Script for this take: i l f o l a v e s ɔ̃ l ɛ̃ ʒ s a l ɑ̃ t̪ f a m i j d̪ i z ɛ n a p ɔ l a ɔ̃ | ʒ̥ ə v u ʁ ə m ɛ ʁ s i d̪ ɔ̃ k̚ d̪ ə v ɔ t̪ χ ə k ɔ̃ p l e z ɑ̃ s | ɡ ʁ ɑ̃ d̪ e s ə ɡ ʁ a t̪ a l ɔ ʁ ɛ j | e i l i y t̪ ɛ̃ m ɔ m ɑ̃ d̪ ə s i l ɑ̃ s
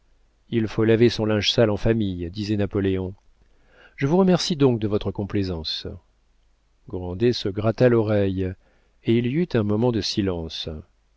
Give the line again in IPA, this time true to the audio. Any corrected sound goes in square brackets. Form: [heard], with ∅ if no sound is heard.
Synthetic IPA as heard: i l f o l a v e s ɔ̃ l ɛ̃ ʒ s a l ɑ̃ [∅] f a m i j d̪ i z ɛ n a p ɔ l [e] ɔ̃ | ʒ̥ ə v u ʁ ə m ɛ ʁ s i d̪ ɔ̃ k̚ d̪ ə v ɔ t̪ χ ə k ɔ̃ p l e z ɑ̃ s | ɡ ʁ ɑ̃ d̪ e s ə ɡ ʁ a t̪ a l ɔ ʁ ɛ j | e i l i y t̪ ɛ̃ m ɔ m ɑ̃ d̪ ə s i l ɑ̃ s